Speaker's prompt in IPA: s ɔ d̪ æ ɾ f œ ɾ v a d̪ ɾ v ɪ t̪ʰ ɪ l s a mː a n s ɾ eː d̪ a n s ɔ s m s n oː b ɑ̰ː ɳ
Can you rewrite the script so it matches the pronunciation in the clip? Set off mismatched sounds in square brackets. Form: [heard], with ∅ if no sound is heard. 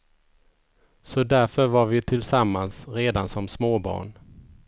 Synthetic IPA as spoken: s ɔ d̪ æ ɾ f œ ɾ v a [∅] ɾ v ɪ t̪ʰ ɪ l s a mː a n s ɾ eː d̪ a n s ɔ [∅] m s [m] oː b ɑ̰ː ɳ

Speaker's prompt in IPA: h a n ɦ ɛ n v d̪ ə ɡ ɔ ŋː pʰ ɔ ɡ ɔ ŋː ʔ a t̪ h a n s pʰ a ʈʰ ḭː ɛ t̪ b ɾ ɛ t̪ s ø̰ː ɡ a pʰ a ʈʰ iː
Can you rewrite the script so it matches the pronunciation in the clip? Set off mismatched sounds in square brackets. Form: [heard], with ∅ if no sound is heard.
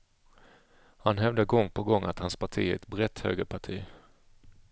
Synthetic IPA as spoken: h a n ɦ ɛ [∅] v d̪ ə ɡ ɔ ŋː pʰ ɔ ɡ ɔ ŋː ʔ a t̪ h a n s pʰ a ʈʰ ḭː ɛ t̪ b ɾ ɛ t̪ [h] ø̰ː ɡ [ə] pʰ a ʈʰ iː

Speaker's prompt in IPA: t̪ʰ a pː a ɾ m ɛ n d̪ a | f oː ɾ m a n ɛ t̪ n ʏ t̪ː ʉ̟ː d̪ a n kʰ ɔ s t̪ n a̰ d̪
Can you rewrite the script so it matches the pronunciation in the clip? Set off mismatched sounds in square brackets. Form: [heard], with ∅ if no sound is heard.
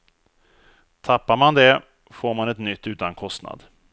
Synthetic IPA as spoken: t̪ʰ a pː a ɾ m [a] n d̪ [ɛ] | f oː ɾ m a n ɛ t̪ n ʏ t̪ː ʉ̟ː [t̪] a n kʰ ɔ s t̪ n a̰ d̪

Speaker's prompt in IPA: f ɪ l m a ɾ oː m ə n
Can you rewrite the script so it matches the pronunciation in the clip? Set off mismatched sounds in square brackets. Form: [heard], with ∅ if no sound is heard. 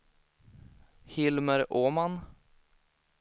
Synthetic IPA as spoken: [h] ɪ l m [ə] ɾ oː m [a] n

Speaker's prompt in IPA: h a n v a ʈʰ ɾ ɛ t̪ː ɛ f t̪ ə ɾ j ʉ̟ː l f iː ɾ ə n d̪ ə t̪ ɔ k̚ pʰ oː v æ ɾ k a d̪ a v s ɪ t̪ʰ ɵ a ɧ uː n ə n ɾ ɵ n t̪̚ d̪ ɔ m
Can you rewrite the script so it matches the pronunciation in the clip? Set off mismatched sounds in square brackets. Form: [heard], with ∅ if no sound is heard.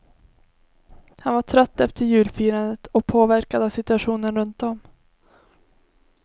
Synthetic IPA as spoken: h a n v a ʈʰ ɾ [œ] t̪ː ɛ f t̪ ə ɾ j ʉ̟ː l f iː ɾ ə n d̪ ə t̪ ɔ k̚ pʰ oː v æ ɾ k a d̪ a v s ɪ [t̪] ɵ a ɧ uː n ə n ɾ ɵ n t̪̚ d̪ ɔ m

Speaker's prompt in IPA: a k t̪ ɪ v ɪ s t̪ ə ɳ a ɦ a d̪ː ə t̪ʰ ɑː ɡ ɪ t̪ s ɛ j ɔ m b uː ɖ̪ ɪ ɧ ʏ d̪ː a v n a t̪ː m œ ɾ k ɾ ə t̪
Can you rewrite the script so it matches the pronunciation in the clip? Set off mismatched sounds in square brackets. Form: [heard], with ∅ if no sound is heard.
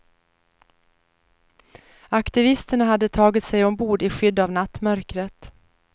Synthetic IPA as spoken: a k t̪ ɪ v ɪ s t̪ ə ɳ a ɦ a d̪ː ə t̪ʰ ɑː ɡ ɪ t̪ s ɛ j ɔ m b uː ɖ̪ ɪ ɧ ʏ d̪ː a v n a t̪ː m œ ɾ k ɾ ə t̪

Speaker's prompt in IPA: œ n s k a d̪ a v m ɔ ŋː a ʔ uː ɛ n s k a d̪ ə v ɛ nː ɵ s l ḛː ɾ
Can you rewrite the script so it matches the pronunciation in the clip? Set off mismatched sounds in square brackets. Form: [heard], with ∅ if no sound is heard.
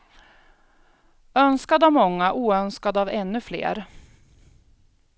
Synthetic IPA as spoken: œ n s k a d̪ a v m ɔ ŋː a ʔ uː [œ] n s k a d̪ [a] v ɛ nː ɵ [f] l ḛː ɾ

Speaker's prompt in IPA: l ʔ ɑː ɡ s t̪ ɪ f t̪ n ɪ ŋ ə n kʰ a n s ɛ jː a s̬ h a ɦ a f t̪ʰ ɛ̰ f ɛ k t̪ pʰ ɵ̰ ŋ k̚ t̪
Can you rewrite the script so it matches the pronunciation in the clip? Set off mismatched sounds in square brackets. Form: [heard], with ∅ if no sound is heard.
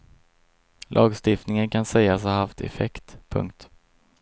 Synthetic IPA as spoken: l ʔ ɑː ɡ s t̪ ɪ f t̪ n ɪ ŋ ə n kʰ a n s ɛ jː a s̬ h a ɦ a f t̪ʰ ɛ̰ f ɛ k t̪ pʰ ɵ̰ ŋ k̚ t̪

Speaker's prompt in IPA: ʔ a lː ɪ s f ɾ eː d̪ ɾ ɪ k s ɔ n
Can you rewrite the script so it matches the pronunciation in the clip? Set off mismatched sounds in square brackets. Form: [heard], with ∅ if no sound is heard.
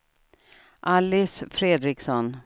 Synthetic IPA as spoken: ʔ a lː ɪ s f ɾ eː d̪ ɾ ɪ k s ɔ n

